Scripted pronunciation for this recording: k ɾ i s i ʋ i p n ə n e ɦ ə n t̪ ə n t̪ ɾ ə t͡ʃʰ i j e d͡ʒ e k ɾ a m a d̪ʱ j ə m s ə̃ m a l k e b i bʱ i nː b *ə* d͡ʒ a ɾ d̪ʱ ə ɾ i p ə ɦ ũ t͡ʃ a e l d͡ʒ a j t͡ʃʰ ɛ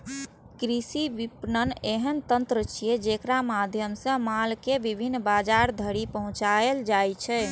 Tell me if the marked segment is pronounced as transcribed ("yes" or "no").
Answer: no